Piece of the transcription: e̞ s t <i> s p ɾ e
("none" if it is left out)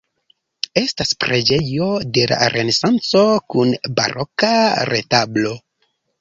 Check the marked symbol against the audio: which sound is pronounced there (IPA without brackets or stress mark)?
a